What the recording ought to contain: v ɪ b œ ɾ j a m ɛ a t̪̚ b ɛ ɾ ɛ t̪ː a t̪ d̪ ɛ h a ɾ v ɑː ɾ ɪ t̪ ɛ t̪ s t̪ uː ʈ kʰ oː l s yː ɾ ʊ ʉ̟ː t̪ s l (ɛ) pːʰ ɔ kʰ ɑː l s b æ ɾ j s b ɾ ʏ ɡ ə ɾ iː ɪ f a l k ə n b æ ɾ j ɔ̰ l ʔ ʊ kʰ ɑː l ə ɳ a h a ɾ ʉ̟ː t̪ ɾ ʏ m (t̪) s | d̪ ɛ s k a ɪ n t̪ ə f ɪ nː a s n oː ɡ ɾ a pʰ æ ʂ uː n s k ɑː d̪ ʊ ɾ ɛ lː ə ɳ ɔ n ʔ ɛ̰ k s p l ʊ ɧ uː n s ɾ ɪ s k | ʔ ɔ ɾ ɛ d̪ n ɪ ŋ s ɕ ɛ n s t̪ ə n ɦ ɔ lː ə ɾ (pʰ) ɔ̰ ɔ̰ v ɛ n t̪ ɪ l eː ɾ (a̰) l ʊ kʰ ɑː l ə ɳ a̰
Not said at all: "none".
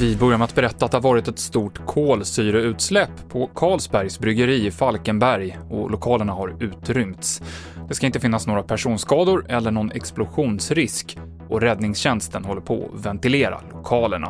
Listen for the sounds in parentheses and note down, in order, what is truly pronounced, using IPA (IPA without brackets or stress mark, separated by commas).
ɛ, t̪, pʰ, a̰